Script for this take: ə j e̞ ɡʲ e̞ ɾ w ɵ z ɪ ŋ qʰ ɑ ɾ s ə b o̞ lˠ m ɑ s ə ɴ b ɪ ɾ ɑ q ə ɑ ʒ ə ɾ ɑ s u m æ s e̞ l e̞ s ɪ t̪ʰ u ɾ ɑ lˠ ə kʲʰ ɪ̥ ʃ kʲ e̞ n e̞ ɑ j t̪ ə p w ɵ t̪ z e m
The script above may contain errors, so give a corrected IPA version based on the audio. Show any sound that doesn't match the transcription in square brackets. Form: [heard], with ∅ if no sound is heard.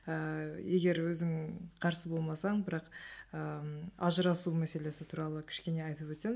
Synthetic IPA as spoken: ə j e̞ ɡʲ e̞ ɾ w ɵ z ɪ ŋ qʰ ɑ ɾ s ə b o̞ lˠ m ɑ s [ɑ] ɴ b ɪ ɾ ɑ q ə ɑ ʒ ə ɾ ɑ s u m æ s e̞ l e̞ s ɪ t̪ʰ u ɾ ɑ lˠ ə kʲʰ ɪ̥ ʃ kʲ e̞ n e̞ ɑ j t̪ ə p w ɵ t̪ [s] e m